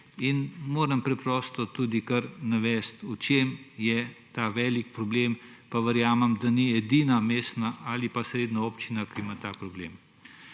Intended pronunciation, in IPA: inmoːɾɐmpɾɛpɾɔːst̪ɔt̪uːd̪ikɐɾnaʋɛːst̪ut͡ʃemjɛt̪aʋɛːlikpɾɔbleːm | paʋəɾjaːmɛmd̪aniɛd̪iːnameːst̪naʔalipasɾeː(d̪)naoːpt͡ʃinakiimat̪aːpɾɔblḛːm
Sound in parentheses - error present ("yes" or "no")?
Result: no